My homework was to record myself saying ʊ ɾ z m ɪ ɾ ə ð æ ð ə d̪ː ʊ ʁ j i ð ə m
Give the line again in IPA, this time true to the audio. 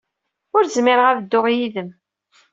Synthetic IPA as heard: ʊ ɾ z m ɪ ɾ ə ʁ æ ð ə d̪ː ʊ ʁ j i ð ə m